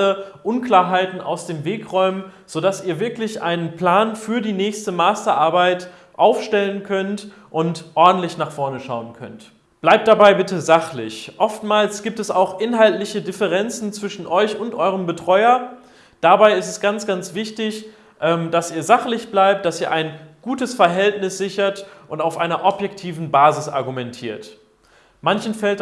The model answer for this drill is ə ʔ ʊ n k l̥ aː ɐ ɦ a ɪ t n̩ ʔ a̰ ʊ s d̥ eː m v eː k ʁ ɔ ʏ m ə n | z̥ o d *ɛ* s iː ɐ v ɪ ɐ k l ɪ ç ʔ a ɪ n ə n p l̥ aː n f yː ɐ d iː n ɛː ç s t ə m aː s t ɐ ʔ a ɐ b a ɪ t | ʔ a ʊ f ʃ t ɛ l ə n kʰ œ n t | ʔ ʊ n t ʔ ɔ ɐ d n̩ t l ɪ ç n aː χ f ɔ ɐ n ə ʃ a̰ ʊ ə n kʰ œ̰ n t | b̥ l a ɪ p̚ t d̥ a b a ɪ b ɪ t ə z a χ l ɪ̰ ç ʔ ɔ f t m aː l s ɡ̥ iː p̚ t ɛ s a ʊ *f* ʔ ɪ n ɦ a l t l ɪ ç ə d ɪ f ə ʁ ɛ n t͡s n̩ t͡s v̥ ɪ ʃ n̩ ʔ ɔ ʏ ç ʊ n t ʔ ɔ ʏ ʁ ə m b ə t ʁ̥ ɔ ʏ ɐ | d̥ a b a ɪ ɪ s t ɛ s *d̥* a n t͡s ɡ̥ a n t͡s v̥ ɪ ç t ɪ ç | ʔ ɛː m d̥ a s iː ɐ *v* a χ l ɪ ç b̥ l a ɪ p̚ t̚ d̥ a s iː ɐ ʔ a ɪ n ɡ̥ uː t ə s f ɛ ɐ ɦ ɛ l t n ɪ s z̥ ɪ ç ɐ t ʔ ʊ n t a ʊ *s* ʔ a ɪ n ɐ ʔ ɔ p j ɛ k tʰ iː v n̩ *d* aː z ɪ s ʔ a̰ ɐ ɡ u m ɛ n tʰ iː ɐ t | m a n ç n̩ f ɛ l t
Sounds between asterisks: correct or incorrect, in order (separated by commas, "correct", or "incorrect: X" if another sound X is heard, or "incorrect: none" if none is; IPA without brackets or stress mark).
incorrect: a, incorrect: x, incorrect: ɡ̥, incorrect: z, incorrect: f, incorrect: b